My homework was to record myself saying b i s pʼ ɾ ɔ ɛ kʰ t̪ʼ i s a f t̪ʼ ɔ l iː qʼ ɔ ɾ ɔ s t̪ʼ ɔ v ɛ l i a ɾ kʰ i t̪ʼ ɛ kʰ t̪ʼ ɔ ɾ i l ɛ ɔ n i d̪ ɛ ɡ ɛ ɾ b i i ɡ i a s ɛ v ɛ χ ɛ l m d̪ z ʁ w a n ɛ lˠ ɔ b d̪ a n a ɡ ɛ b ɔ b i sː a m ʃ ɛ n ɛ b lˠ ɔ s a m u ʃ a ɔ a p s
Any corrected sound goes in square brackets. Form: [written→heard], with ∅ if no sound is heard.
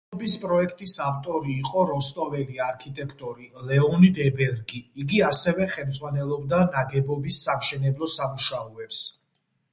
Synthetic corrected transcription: b i s pʼ ɾ ɔ ɛ kʰ t̪ʼ i s a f t̪ʼ ɔ [l→ɾ] iː qʼ ɔ ɾ ɔ s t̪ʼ ɔ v ɛ l i a ɾ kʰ i t̪ʼ ɛ kʰ t̪ʼ ɔ ɾ i l ɛ ɔ n i d̪ ɛ [ɡ→b] ɛ ɾ [b→ɡ] i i ɡ i a s ɛ v ɛ χ ɛ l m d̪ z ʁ w a n ɛ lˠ ɔ b d̪ a n a ɡ ɛ b ɔ b i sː a m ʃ ɛ n ɛ b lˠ ɔ s a m u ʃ a ɔ [a→ɛ] p s